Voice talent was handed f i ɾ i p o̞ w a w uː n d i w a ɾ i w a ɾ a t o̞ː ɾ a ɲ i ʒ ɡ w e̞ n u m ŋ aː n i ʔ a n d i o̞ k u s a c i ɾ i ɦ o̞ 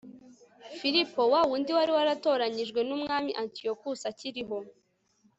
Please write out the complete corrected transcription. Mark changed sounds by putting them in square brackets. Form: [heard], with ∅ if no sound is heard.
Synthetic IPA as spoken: f i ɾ i p o̞ w a w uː n d i w a ɾ i w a ɾ a t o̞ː ɾ a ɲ i ʒ ɡ w e̞ n u m ŋ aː [m] i ʔ a n [t] i o̞ k u s a c i ɾ i ɦ o̞

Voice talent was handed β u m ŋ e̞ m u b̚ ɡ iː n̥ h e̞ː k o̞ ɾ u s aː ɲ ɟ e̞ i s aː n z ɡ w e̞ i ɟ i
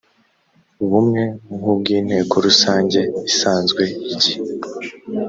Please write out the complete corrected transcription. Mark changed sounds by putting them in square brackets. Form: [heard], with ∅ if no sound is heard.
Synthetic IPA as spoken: β u m ŋ e̞ [ŋ] u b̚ ɡ iː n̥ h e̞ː k o̞ ɾ u s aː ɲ ɟ e̞ i s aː n z ɡ w e̞ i ɟ i

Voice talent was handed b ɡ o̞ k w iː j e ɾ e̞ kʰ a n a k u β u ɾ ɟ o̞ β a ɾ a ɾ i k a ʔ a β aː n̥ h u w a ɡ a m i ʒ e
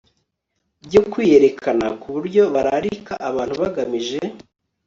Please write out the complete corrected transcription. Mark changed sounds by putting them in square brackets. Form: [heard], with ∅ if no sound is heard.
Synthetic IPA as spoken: b [ɟ] o̞ k w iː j e ɾ e̞ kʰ a n a k u β u ɾ ɟ o̞ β a ɾ a ɾ i k a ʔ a β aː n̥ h u [β] a ɡ a m i ʒ e

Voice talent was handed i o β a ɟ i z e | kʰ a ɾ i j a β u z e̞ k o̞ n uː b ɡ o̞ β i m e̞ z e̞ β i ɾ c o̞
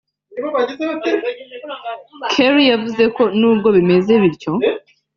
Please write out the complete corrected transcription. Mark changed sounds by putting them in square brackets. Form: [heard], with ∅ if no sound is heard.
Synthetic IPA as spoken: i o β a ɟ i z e | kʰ [e] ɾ i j a [v] u z e̞ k o̞ n uː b ɡ o̞ β i m e̞ z e̞ β i ɾ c o̞

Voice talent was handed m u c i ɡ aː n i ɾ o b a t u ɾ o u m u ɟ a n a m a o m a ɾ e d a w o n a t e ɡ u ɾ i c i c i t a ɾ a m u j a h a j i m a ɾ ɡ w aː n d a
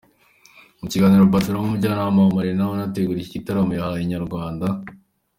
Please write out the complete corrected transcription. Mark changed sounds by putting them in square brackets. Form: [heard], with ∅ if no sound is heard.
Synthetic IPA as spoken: m u c i ɡ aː n i ɾ o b a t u ɾ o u m u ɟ a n a m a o m a ɾ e [n] a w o n a t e ɡ u ɾ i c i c i t a ɾ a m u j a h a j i [ɲ] a ɾ ɡ w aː n d a

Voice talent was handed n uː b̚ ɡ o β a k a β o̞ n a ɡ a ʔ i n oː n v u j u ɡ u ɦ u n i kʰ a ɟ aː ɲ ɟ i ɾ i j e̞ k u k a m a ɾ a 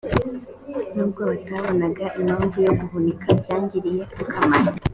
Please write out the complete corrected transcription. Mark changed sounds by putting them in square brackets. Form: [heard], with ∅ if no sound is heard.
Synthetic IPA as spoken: n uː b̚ ɡ o β a [t] a β o̞ n a ɡ a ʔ i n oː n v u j [o] ɡ u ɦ u n i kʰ a ɟ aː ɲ ɟ i ɾ i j e̞ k u k a m a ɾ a

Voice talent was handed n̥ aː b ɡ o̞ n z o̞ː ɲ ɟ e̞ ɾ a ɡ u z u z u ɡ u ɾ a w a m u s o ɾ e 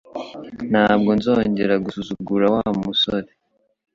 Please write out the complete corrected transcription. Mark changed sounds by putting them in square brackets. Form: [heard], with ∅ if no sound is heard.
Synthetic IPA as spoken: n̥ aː b ɡ o̞ n z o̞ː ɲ ɟ e̞ ɾ a ɡ u [s] u z u ɡ u ɾ a w a m u s o ɾ e

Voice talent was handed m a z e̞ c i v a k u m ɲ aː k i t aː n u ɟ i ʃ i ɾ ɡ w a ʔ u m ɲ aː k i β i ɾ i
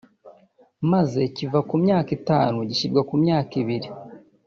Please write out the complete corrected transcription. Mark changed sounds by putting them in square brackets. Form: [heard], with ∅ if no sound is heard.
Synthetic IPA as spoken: m a z e̞ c i v a k u m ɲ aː k i t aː n u ɟ i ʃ i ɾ ɡ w a [k] u m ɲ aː k i β i ɾ i

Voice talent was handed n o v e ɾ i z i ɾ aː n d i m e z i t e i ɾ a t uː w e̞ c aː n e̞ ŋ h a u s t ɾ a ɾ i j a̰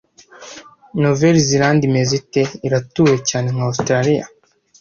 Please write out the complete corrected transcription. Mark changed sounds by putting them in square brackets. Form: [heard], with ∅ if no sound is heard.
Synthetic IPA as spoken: n o v e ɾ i z i ɾ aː n d i m e z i t e i ɾ a t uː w e̞ c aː n e̞ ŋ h a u s t ɾ a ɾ i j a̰

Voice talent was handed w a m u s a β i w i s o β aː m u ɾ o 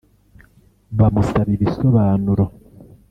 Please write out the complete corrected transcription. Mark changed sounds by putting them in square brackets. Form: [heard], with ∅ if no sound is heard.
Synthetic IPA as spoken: [β] a m u s a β i [β] i s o β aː [n] u ɾ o

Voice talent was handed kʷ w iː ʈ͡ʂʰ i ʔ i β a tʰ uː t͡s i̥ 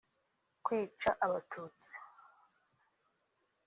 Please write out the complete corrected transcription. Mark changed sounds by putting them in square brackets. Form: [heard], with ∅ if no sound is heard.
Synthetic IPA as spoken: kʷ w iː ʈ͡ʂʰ [a] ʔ [a] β a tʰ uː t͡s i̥

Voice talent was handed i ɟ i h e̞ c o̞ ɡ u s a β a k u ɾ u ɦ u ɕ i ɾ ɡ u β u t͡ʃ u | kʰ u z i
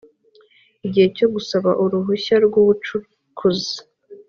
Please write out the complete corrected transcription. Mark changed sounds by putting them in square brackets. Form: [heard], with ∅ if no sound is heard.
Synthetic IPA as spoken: i ɟ i h e̞ c o̞ ɡ u s a β a [ʔ] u ɾ u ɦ u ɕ [a] ɾ ɡ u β u t͡ʃ u | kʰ u z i

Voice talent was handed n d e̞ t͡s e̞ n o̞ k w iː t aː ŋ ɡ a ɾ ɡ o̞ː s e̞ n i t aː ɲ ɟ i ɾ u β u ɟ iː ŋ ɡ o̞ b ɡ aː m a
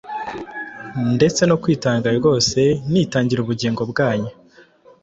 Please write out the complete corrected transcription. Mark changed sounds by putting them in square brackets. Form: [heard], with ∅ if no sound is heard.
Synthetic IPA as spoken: n d e̞ t͡s e̞ n o̞ k w iː t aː ŋ ɡ a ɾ ɡ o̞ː s e̞ n i t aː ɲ ɟ i ɾ u β u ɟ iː ŋ ɡ o̞ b ɡ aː [ɲ] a

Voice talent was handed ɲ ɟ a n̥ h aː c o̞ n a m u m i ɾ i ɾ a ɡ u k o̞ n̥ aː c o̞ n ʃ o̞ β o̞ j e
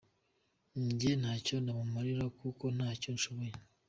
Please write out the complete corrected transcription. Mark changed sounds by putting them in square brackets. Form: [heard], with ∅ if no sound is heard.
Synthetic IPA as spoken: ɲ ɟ [e] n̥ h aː c o̞ n a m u m [a] ɾ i ɾ a [k] u k o̞ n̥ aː c o̞ n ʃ o̞ β o̞ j e

